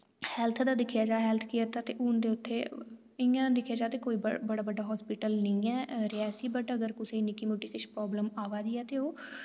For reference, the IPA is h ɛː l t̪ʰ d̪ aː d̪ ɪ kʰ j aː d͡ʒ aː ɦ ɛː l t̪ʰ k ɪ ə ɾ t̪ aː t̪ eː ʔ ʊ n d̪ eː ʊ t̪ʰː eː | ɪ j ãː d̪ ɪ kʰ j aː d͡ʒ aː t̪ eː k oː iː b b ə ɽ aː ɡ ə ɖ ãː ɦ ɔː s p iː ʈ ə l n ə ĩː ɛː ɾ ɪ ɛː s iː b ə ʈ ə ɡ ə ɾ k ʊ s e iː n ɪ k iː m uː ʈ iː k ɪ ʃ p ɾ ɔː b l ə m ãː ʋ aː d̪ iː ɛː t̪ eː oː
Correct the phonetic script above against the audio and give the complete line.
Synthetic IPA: h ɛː l t̪ʰ d̪ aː d̪ ɪ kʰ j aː d͡ʒ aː ɦ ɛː l t̪ʰ k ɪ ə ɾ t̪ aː t̪ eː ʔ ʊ n d̪ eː ʊ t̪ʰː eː | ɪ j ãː d̪ ɪ kʰ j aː d͡ʒ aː t̪ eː k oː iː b b ə ɽ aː b ə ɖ aː ɦ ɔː s p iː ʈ ə l n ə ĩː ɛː ɾ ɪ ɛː s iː b ə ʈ ə ɡ ə ɾ k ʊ s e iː n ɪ k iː m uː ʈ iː k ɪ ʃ p ɾ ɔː b l ə m aː ʋ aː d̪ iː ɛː t̪ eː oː